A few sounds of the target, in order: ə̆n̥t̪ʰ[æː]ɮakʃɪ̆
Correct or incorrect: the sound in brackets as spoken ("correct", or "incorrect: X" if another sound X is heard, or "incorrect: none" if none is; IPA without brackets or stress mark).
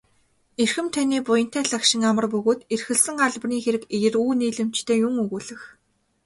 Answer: correct